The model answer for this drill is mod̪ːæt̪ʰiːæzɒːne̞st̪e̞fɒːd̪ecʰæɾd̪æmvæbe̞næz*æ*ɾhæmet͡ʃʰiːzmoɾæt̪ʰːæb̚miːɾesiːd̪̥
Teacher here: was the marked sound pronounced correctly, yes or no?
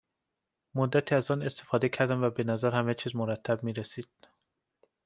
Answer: yes